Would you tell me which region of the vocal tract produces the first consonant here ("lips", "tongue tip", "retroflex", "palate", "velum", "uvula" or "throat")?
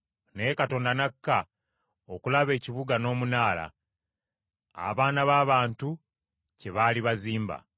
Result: tongue tip